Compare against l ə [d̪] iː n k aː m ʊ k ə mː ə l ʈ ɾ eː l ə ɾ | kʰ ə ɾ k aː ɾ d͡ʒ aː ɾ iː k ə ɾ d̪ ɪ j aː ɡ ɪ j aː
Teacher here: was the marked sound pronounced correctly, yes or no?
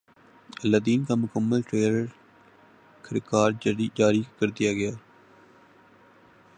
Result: yes